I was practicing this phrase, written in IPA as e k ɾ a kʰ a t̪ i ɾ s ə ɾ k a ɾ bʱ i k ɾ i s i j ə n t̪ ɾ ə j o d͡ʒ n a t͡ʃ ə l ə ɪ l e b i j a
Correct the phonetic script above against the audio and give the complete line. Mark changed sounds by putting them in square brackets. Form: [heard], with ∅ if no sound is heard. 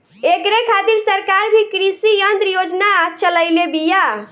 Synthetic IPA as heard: e k ɾ [e] kʰ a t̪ i ɾ s ə ɾ k a ɾ bʱ i k ɾ i s i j ə n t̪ ɾ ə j o d͡ʒ n a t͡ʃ ə l ə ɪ l e b i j a